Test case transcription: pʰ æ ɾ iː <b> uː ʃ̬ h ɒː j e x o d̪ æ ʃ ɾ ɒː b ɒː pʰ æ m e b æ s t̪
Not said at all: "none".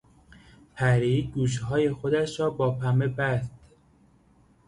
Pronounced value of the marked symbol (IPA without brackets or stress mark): ɡ